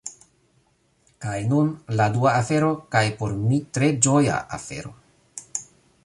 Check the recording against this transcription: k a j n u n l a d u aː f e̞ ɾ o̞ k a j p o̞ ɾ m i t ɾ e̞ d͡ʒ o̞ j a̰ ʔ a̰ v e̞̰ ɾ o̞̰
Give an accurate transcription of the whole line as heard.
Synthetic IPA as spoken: k a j n u n l a d u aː f e̞ ɾ o̞ k a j p o̞ ɾ m i t ɾ e̞ d͡ʒ o̞ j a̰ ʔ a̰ f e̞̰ ɾ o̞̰